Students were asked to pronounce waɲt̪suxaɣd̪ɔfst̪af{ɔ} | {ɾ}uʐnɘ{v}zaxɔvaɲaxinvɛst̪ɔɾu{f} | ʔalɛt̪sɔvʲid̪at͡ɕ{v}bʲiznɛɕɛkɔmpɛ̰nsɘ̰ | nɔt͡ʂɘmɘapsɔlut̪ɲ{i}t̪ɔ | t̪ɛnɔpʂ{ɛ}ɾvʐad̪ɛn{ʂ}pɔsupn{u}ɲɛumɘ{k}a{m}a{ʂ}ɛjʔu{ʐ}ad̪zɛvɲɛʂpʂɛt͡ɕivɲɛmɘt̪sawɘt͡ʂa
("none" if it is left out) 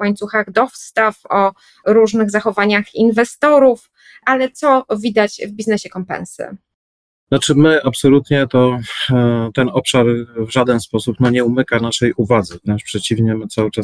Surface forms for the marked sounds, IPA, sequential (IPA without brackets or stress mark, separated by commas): ɔ, ɾ, ɣ, f, v, ɛ, a, s, ɔ, k, n, ʂ, v